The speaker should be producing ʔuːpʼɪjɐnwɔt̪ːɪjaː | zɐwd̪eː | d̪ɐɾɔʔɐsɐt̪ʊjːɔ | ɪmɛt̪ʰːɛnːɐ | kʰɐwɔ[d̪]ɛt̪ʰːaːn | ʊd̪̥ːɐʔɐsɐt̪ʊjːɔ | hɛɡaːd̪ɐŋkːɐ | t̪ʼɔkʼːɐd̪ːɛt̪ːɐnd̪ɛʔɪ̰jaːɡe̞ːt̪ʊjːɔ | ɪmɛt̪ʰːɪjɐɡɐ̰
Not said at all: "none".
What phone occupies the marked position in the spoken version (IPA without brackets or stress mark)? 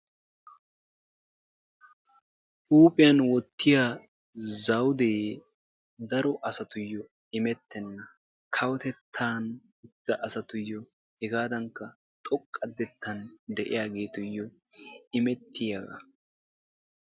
t̪